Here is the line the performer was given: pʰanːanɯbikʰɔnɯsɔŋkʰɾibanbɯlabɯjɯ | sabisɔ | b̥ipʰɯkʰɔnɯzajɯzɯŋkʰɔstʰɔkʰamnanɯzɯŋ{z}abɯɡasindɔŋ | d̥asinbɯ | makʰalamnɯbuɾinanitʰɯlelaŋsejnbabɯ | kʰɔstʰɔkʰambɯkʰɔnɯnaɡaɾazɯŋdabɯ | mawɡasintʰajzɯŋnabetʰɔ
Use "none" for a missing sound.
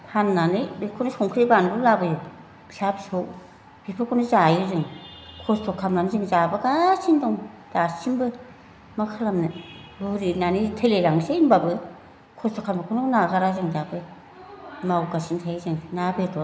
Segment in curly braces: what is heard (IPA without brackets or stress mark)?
z